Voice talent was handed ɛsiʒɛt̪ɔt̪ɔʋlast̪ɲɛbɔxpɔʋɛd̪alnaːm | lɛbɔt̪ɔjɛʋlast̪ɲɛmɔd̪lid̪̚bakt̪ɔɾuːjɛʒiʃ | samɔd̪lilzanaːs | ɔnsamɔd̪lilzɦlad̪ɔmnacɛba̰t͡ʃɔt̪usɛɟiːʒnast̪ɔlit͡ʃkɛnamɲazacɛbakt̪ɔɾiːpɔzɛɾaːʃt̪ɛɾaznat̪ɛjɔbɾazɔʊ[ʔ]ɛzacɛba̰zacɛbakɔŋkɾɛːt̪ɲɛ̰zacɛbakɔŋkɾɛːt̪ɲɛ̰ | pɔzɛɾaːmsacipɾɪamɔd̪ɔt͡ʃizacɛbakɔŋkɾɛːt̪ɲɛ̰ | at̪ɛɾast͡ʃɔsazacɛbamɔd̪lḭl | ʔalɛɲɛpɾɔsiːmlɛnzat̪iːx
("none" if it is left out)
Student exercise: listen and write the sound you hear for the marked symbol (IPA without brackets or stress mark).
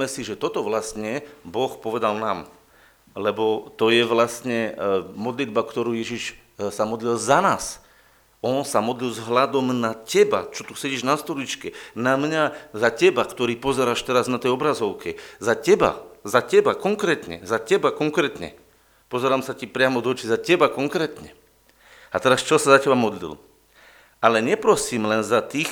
k